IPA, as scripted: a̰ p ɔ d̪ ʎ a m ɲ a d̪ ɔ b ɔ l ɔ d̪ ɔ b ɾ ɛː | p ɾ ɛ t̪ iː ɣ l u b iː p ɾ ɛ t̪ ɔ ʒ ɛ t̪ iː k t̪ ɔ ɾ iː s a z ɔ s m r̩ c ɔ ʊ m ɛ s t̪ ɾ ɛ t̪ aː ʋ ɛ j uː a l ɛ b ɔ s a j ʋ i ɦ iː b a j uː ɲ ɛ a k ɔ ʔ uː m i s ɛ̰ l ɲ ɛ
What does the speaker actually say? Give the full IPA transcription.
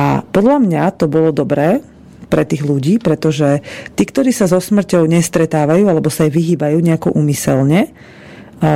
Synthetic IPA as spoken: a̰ p ɔ d̪ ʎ a m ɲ a t̪ ɔ b ɔ l ɔ d̪ ɔ b ɾ ɛː | p ɾ ɛ t̪ iː ɣ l u ɟ iː p ɾ ɛ t̪ ɔ ʒ ɛ t̪ iː k t̪ ɔ ɾ iː s a z ɔ s m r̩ c ɔ ʊ ɲ ɛ s t̪ ɾ ɛ t̪ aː ʋ a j uː a l ɛ b ɔ s a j ʋ i ɦ iː b a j uː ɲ ɛ a k ɔ ʔ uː m i s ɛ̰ l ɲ ɛ